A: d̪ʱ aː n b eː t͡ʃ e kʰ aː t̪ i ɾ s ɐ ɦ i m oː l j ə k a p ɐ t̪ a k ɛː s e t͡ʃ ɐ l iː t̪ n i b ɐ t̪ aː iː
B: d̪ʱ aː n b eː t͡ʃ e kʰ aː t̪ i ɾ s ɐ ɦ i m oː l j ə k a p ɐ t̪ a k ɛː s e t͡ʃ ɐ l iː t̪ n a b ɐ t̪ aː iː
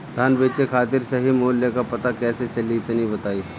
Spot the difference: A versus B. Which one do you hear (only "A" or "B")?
A